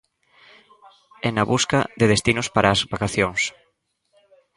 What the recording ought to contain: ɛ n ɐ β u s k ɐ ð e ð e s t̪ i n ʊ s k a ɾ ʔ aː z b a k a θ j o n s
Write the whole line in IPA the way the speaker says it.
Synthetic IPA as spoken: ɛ n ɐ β u s k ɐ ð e ð e s t̪ i n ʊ s p a ɾ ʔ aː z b a k a θ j o ŋ s